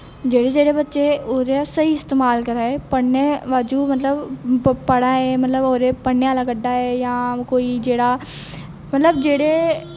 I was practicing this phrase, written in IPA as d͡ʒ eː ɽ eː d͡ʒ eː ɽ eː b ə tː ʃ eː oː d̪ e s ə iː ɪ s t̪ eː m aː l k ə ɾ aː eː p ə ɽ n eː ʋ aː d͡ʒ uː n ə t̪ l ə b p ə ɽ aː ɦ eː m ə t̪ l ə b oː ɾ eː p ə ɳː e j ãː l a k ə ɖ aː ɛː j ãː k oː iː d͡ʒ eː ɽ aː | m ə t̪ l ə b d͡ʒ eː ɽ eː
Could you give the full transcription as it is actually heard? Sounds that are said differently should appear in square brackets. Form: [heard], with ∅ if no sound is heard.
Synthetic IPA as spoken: d͡ʒ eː ɽ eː d͡ʒ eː ɽ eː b ə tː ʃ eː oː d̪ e s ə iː ɪ s t̪ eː m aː l k ə ɾ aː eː p ə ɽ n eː ʋ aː d͡ʒ uː [m] ə t̪ l ə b p ə ɽ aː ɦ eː m ə t̪ l ə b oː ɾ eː p ə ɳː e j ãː l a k ə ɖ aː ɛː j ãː k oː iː d͡ʒ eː ɽ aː | m ə t̪ l ə b d͡ʒ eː ɽ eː